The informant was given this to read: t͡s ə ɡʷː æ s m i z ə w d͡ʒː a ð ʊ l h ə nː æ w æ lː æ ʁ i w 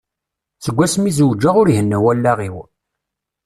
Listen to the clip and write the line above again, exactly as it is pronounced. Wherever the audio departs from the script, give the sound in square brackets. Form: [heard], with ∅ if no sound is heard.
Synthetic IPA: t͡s ə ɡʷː æ s m i z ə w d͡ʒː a [ʁ] ʊ [ɾ] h ə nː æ w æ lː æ ʁ i w

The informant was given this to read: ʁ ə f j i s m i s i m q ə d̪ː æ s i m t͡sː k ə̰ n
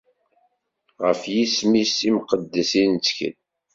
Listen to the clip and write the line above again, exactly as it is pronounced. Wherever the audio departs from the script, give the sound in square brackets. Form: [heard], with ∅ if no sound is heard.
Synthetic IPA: ʁ ə f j i s m i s i m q ə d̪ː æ s i [n] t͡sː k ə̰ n

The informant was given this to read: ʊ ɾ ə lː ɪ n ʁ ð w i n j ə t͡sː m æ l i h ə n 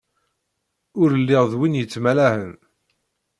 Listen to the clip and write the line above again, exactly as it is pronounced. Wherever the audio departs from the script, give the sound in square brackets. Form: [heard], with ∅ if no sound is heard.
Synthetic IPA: ʊ ɾ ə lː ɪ [∅] ʁ ð w i n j ə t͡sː m æ l [æ] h ə n

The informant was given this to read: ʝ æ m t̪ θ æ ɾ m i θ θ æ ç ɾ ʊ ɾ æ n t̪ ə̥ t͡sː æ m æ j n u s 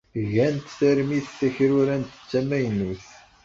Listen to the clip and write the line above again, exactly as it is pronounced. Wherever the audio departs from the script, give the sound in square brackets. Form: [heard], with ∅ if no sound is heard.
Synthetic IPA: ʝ æ [n] t̪ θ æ ɾ m i θ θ æ ç ɾ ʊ ɾ æ n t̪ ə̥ t͡sː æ m æ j n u [θ]

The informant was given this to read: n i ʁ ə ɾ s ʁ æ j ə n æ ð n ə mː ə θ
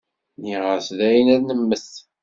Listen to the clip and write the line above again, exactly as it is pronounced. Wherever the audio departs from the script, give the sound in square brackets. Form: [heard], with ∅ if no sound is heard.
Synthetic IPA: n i ʁ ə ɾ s [ð] æ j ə n æ ð n ə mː ə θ

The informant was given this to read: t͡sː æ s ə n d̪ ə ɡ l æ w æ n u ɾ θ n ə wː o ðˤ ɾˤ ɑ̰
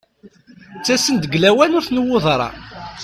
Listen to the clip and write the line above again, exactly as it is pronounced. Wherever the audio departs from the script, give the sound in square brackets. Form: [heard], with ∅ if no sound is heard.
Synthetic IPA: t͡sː æ s ə n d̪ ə ɡ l æ w æ n [ʊ] ɾ θ n ə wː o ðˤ ɾˤ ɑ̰

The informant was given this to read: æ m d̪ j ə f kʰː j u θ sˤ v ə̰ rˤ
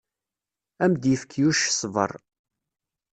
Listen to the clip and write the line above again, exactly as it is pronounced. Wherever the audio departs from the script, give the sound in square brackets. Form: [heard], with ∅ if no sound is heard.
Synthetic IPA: æ m d̪ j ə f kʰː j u [ʃ] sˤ v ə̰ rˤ

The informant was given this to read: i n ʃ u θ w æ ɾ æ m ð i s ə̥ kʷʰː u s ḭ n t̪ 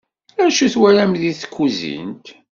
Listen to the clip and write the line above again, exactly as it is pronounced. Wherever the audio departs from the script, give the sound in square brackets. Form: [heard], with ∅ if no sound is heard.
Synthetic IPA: [æ] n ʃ u θ w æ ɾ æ m ð i [θ] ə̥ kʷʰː u [z] ḭ n t̪

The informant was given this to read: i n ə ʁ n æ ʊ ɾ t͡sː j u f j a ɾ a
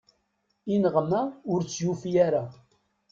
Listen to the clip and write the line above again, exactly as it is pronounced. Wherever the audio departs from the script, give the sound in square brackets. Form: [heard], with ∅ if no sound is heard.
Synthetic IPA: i n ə ʁ [m] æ ʊ ɾ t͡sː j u f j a ɾ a

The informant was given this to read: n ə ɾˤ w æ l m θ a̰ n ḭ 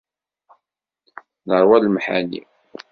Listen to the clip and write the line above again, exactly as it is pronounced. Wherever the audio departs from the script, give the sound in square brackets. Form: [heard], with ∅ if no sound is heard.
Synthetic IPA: n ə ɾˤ w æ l m [ħ] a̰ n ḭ

